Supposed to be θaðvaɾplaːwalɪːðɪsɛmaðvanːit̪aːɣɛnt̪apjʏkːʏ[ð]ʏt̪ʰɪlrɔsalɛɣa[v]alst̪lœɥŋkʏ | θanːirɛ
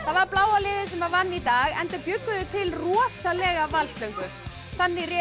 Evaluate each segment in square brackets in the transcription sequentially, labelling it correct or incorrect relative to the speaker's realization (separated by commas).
correct, correct